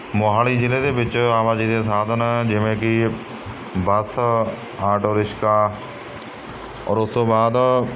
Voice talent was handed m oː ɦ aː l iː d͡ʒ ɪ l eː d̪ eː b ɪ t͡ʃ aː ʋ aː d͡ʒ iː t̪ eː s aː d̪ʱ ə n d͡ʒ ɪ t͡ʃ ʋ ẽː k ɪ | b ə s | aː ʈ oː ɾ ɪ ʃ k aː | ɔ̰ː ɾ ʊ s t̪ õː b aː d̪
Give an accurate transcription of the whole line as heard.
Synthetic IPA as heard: m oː ɦ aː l iː d͡ʒ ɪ l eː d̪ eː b ɪ t͡ʃ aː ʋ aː d͡ʒ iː d̪ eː s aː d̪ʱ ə n d͡ʒ ɪ ʋ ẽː k ɪ | b ə s | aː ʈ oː ɾ ɪ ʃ k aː | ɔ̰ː ɾ ʊ s t̪ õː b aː d̪